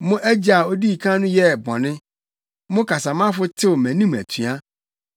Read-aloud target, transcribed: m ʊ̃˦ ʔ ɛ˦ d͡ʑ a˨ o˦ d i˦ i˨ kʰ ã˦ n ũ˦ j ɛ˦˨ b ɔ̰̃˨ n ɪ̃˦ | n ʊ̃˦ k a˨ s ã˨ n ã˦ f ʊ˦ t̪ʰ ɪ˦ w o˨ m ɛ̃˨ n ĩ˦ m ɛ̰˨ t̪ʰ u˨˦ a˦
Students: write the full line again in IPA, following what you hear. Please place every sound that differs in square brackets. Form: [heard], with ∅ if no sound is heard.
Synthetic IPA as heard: m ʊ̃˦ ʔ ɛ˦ d͡ʑ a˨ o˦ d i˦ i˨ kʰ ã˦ n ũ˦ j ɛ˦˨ b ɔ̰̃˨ n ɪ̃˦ | [m] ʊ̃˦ k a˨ s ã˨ [m] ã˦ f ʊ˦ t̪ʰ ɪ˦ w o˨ m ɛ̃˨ n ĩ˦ m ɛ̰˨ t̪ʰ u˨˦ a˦